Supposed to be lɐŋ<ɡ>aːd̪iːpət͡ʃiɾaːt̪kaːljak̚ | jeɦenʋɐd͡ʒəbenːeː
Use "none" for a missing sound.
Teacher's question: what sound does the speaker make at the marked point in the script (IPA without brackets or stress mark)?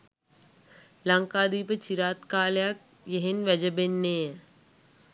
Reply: k